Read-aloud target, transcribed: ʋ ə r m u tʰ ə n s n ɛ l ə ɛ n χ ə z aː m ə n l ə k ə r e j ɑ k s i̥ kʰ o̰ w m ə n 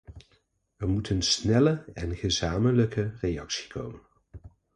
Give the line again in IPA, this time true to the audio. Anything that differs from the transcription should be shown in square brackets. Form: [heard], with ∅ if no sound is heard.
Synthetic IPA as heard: ʋ ə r m u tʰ ə n s n ɛ l ə ɛ n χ ə z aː m ə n l ə k ə r e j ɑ k s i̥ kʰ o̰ w m ə n